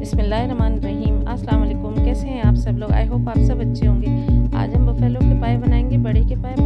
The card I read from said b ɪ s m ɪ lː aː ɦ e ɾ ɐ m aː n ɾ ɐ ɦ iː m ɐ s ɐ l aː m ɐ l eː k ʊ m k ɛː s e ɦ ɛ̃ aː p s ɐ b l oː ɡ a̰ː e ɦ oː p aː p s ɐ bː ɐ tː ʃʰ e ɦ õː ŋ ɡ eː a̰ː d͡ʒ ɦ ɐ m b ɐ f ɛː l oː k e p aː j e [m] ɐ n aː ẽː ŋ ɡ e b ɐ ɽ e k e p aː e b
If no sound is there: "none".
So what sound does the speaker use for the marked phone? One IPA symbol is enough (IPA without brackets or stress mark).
b